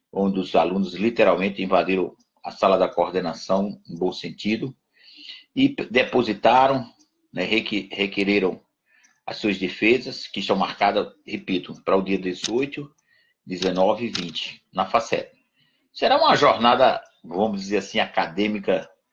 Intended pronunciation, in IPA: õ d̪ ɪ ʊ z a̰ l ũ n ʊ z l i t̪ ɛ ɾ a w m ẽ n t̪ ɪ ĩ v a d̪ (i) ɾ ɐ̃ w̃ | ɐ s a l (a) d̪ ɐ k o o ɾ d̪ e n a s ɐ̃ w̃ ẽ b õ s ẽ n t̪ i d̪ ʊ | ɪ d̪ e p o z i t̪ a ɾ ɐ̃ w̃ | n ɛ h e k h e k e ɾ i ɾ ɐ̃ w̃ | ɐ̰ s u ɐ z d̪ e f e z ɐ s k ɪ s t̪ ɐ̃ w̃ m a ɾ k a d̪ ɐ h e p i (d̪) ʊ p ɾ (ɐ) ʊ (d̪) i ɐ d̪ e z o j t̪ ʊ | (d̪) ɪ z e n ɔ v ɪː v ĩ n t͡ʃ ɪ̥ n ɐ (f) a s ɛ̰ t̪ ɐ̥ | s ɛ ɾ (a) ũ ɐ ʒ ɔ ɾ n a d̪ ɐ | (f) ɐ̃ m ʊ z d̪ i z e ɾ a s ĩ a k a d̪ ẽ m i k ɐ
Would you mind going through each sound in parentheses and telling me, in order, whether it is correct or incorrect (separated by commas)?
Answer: correct, incorrect, incorrect, correct, correct, correct, correct, correct, incorrect